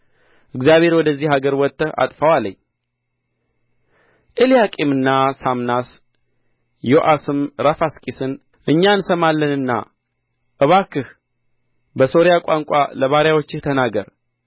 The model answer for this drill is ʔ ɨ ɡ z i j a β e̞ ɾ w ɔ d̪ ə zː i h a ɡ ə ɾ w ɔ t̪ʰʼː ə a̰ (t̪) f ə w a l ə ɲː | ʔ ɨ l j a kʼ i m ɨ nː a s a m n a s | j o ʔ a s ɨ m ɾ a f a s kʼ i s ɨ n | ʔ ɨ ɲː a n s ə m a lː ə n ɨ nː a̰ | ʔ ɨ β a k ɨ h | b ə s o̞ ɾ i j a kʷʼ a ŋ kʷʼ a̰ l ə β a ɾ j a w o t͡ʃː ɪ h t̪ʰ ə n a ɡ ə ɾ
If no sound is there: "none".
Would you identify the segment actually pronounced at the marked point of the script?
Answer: t̪ʼ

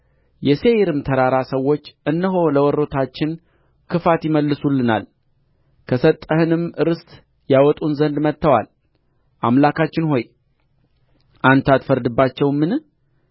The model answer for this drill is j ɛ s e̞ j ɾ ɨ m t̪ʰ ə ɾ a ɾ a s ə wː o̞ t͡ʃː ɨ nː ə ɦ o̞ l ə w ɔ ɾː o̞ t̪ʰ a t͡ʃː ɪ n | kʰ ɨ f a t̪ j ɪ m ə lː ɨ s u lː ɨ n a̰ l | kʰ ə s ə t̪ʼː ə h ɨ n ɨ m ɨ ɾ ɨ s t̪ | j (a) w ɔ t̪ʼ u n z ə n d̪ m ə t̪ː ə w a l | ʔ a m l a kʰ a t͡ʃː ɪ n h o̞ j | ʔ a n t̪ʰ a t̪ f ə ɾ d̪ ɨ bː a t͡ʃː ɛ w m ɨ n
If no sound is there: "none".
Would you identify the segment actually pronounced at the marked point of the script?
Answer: a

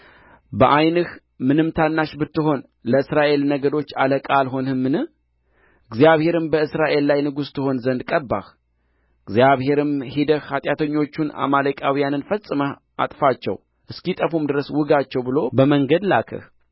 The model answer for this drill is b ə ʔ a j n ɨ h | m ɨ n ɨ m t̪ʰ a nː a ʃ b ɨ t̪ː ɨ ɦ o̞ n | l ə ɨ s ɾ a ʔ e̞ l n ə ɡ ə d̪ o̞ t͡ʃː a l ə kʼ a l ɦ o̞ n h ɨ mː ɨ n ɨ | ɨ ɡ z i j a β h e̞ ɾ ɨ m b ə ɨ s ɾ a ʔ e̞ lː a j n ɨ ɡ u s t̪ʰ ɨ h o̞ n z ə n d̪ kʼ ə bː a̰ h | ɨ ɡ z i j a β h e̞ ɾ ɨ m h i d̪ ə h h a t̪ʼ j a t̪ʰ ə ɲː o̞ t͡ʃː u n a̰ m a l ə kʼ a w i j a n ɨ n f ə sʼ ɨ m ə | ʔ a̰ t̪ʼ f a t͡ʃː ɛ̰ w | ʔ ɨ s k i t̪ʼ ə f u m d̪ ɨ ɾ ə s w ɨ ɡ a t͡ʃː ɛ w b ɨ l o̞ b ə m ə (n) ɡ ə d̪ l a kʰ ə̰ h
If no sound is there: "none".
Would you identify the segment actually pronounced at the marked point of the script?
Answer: ŋ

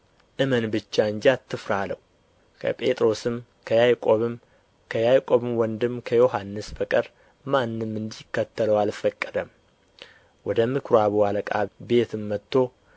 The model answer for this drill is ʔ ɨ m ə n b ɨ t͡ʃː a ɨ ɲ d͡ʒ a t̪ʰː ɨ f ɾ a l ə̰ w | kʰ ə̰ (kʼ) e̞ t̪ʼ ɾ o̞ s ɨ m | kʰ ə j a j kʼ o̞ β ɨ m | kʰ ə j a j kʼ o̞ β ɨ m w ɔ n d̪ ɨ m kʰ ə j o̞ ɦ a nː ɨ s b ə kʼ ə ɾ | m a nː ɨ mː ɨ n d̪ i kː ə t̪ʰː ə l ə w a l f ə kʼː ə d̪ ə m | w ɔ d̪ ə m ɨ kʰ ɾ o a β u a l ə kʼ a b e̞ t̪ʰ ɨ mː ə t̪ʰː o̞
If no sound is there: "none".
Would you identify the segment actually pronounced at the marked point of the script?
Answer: pʼ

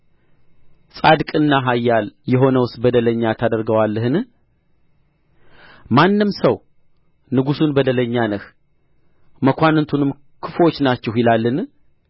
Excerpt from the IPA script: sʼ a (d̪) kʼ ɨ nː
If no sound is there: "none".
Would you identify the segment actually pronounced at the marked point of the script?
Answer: d̪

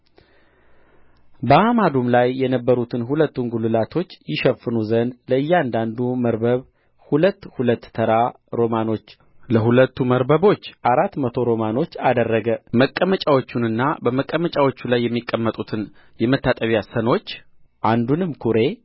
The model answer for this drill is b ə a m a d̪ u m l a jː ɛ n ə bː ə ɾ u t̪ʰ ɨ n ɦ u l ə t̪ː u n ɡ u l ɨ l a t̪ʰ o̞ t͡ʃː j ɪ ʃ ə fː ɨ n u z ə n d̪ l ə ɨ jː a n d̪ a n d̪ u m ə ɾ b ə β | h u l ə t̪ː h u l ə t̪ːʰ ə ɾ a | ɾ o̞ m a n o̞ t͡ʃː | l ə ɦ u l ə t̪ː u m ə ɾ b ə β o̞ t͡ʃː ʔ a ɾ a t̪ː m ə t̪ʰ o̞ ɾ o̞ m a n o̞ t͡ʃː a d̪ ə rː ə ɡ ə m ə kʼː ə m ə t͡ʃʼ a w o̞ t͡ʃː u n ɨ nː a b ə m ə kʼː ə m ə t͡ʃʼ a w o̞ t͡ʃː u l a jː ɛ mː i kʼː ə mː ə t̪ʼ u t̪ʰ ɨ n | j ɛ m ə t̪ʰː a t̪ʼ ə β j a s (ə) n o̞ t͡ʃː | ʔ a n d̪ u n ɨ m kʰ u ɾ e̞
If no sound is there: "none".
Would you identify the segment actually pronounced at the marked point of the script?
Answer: ə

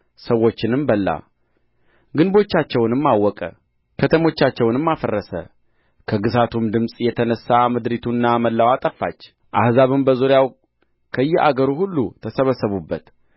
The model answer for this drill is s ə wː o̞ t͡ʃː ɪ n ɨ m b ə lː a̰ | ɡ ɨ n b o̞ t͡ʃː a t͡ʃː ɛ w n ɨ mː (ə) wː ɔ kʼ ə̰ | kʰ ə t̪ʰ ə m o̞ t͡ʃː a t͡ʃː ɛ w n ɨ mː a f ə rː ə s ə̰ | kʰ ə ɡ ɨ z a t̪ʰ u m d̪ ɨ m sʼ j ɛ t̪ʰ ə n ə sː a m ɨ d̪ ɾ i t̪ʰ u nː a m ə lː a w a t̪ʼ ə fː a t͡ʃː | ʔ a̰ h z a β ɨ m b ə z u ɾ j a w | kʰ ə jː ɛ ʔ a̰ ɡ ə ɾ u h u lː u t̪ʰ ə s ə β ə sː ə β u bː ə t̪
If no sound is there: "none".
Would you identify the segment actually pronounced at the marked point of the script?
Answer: a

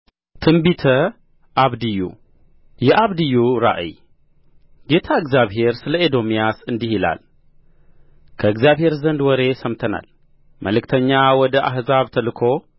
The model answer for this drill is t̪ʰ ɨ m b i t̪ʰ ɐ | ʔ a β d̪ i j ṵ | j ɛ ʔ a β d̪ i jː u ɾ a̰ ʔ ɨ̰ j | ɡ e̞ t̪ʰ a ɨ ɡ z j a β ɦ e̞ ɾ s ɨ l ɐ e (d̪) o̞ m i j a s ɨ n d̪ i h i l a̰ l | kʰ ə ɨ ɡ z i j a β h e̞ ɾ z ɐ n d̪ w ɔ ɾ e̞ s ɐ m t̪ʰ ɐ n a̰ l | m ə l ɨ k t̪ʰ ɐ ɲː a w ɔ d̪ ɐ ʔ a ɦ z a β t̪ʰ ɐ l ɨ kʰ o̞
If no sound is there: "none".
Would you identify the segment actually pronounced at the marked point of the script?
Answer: d̪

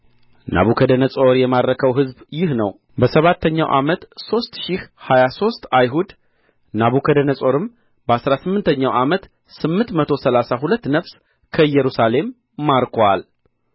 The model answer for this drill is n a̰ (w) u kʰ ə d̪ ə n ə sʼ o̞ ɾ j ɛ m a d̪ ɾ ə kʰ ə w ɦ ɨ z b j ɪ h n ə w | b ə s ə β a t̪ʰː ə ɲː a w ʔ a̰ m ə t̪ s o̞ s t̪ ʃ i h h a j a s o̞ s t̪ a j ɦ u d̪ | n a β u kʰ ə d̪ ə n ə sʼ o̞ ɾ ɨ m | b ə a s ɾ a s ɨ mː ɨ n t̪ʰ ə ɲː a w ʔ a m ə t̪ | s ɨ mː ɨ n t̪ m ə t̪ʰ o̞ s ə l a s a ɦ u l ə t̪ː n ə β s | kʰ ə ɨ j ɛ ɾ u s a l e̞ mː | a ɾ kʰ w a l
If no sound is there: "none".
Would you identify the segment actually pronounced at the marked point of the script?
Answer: β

